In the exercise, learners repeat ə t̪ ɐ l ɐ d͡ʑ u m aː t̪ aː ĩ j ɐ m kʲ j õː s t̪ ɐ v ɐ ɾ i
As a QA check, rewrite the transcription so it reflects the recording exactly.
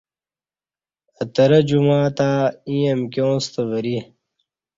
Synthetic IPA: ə t̪ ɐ ɾ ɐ d͡ʑ u m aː t̪ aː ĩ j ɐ m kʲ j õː s t̪ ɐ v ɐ ɾ i